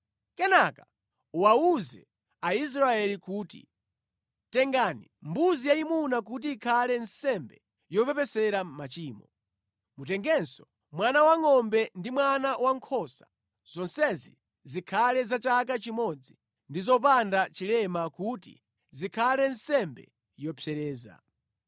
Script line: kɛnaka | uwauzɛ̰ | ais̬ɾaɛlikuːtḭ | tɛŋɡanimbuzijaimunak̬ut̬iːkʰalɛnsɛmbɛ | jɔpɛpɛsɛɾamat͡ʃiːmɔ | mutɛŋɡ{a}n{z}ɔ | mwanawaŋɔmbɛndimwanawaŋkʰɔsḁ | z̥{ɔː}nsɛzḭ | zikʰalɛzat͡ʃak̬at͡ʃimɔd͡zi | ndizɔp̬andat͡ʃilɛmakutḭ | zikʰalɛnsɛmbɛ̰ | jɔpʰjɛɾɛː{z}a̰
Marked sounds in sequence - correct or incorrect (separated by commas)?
incorrect, incorrect, incorrect, correct